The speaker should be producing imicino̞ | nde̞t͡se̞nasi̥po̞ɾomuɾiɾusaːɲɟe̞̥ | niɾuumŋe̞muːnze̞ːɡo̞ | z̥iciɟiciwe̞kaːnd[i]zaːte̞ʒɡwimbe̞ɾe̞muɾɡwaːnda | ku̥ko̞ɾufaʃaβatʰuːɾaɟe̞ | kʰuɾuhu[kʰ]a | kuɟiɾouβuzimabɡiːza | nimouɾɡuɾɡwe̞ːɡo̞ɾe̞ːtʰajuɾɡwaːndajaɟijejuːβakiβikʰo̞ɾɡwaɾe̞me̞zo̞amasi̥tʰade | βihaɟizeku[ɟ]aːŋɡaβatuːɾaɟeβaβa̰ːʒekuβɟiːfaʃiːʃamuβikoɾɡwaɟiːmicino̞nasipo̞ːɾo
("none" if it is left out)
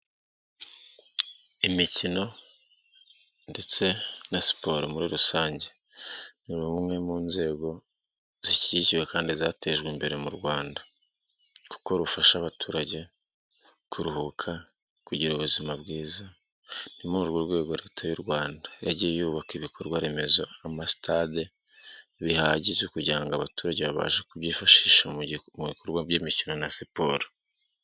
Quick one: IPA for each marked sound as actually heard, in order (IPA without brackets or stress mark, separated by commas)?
i, kʰ, ɟ